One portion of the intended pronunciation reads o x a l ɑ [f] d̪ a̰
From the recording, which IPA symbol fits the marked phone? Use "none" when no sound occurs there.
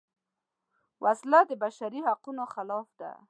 f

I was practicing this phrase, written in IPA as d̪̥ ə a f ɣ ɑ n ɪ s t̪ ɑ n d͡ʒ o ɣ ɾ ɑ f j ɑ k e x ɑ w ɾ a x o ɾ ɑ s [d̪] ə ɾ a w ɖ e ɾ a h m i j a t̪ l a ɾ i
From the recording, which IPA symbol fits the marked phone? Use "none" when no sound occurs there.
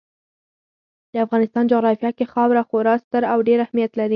t̪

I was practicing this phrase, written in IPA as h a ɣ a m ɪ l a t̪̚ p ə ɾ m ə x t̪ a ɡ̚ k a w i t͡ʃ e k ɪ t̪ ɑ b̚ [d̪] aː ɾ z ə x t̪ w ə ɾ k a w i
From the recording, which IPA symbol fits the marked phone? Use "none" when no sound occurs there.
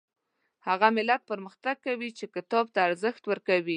t̪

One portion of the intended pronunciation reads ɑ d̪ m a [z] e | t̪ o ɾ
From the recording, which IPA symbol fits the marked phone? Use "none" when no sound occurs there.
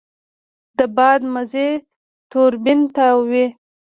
z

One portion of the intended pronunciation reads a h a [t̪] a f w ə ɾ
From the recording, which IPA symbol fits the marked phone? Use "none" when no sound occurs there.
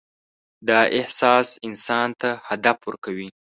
d̪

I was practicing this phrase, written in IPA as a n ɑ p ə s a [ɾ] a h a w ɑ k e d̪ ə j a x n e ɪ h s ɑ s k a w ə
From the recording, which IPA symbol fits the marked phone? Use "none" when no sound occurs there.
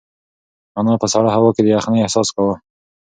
ɽ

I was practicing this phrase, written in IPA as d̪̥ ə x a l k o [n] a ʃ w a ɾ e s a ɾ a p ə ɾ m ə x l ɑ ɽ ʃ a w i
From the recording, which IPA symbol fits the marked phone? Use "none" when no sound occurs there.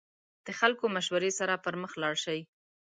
m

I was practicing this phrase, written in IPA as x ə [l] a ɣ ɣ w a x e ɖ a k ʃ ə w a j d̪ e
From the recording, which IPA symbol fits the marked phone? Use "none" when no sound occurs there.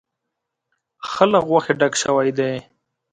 l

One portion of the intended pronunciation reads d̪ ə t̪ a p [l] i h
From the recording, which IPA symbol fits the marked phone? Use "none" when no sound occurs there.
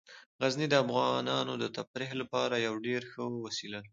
ɾ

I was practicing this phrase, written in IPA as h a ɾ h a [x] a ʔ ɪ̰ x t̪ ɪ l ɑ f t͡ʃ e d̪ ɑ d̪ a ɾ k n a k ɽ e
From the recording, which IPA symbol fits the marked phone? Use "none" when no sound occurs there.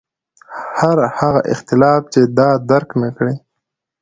ɣ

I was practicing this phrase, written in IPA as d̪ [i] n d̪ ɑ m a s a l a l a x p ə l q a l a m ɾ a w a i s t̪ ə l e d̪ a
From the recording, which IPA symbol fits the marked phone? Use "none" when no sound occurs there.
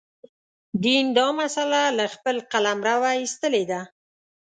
i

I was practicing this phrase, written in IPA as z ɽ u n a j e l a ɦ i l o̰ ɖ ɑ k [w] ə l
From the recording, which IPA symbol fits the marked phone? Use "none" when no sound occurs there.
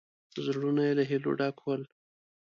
w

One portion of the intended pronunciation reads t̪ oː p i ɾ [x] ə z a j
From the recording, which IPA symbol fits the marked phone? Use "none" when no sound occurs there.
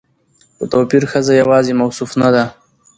x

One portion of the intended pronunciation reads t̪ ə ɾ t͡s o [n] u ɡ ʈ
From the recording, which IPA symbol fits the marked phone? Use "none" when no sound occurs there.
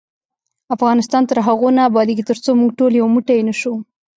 m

